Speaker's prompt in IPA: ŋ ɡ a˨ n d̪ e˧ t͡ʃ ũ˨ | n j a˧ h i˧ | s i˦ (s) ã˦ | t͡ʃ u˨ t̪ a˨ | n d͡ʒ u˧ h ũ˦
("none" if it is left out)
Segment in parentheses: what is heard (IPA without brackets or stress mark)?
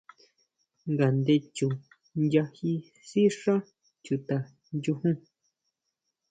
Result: ʂ